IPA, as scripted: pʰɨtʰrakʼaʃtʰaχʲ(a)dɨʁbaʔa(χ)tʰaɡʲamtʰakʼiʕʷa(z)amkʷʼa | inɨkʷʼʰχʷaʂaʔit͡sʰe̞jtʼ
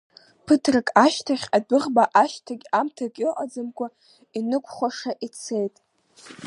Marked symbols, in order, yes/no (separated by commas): yes, no, no